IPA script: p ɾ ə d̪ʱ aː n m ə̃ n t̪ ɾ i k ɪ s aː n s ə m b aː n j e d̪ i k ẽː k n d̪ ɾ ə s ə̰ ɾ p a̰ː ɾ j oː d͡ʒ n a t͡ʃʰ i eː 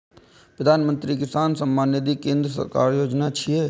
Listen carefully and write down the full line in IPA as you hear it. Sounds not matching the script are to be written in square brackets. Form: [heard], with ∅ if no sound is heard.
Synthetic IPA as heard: p ɾ ə d̪ʱ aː n m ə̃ n t̪ ɾ i k ɪ s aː n s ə m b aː n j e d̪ i k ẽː [∅] n d̪ ɾ ə s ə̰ ɾ [k] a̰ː ɾ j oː d͡ʒ n a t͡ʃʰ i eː